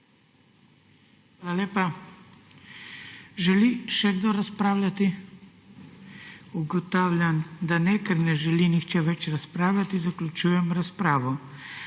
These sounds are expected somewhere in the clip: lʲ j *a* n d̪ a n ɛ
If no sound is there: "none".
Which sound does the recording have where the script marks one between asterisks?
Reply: a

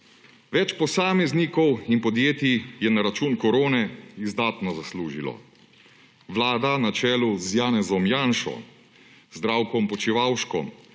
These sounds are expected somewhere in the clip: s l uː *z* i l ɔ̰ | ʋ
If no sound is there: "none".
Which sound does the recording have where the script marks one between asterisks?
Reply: ʒ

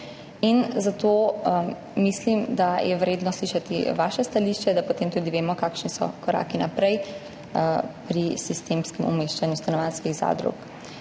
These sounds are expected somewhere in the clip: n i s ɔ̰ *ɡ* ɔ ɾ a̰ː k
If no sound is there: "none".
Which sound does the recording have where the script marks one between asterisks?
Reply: k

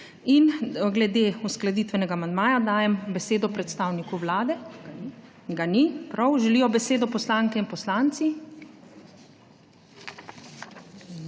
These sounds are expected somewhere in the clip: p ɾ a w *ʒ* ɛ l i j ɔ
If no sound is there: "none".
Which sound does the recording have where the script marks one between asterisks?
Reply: ʒ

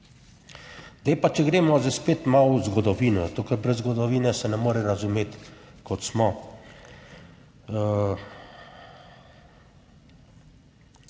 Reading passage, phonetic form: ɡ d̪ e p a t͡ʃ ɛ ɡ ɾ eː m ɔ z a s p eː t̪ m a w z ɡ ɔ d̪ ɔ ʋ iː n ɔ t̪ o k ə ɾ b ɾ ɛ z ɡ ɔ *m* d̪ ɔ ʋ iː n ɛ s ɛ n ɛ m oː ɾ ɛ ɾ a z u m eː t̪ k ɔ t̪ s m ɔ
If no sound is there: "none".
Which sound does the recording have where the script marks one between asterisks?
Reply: none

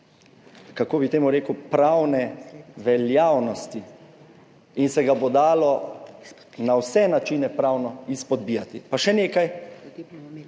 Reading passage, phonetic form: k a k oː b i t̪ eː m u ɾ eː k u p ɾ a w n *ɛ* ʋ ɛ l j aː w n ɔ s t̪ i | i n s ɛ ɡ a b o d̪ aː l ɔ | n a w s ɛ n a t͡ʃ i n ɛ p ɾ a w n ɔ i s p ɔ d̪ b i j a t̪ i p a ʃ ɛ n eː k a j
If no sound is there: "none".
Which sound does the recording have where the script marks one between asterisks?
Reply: ɛ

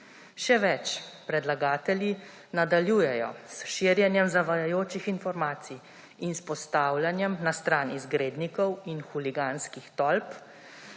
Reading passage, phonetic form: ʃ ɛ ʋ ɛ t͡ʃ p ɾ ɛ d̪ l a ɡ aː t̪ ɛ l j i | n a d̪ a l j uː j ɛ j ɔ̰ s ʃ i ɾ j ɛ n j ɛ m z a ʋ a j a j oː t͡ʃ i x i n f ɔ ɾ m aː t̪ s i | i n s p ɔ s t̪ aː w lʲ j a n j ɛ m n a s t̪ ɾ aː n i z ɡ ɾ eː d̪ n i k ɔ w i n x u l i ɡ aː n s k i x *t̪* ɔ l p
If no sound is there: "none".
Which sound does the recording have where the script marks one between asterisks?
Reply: t̪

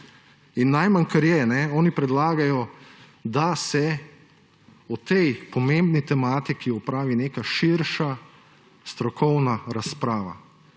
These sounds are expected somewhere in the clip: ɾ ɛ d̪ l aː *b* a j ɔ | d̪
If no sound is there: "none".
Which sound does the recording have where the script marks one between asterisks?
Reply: ɡ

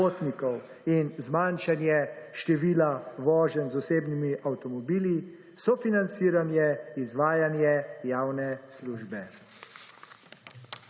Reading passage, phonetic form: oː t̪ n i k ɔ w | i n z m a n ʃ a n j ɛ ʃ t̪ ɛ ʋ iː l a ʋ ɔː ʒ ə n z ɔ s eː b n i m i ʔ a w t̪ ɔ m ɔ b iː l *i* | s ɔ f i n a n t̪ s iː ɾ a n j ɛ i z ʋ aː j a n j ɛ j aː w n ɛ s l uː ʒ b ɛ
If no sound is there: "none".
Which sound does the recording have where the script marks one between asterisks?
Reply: i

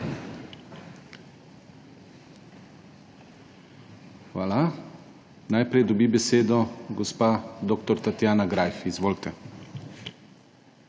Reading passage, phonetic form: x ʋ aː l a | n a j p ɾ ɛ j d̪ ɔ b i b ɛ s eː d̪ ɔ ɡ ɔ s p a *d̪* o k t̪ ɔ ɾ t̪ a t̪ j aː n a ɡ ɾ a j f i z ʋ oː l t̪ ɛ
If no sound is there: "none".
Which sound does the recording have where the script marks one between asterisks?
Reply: d̪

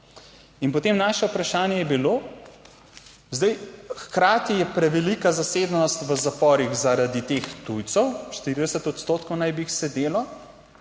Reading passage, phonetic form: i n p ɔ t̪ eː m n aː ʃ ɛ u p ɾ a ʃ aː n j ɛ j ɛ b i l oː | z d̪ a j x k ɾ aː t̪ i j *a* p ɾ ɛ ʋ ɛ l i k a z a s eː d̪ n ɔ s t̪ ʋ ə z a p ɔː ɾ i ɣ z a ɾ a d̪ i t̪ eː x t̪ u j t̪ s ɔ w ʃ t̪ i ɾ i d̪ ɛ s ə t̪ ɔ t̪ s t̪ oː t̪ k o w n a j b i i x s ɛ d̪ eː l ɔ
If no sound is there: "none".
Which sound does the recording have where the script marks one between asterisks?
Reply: ɛ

